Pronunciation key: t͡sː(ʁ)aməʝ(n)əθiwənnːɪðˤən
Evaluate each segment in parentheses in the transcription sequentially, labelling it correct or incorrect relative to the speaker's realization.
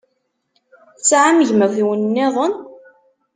incorrect: ʕ, incorrect: m

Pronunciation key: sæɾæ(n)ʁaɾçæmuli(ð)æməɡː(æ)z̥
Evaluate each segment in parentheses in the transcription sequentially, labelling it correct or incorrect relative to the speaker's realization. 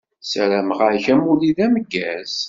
incorrect: m, correct, correct

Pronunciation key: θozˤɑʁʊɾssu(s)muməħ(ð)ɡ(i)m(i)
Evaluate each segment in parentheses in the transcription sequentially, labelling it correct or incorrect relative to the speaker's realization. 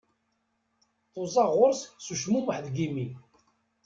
incorrect: ʃ, correct, correct, correct

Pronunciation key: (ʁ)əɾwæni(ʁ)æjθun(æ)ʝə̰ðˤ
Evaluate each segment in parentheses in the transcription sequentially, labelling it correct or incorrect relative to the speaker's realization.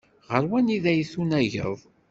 correct, incorrect: ð, correct

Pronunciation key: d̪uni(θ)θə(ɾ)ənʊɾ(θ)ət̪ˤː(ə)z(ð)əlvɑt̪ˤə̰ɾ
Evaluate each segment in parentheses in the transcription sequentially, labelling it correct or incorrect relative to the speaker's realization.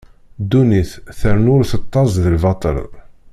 correct, correct, correct, incorrect: ɑ, correct

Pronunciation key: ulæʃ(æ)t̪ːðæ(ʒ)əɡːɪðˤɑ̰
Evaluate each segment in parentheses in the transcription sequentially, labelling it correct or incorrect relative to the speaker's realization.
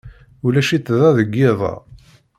incorrect: i, incorrect: ð

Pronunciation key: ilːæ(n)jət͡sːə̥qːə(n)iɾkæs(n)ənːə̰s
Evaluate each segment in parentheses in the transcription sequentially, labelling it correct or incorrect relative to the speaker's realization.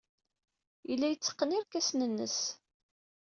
incorrect: none, correct, correct

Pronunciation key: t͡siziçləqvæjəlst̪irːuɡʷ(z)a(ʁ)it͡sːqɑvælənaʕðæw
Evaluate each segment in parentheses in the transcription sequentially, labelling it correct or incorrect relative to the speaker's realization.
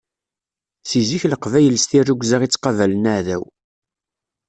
correct, correct

